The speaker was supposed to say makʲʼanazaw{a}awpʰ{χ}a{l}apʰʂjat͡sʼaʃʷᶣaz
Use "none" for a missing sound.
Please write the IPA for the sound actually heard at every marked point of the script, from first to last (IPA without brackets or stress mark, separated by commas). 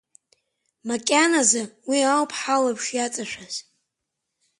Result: i, ħ, l